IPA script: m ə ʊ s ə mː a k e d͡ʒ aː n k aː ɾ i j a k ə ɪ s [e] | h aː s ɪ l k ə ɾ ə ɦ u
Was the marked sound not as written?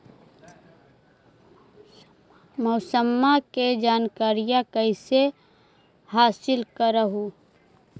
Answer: no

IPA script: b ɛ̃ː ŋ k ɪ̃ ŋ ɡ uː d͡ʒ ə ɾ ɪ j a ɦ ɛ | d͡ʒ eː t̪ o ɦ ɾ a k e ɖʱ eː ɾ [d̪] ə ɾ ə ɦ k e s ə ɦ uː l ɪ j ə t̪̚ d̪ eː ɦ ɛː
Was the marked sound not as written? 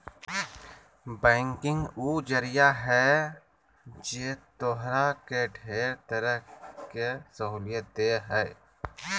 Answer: yes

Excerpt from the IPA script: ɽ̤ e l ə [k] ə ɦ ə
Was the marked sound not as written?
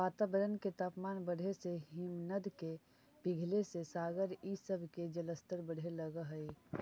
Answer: yes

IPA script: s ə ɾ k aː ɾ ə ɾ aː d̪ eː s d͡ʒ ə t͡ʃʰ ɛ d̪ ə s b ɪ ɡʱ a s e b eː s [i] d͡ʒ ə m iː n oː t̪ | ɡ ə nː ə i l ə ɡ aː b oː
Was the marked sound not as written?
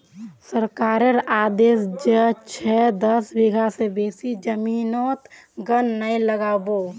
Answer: no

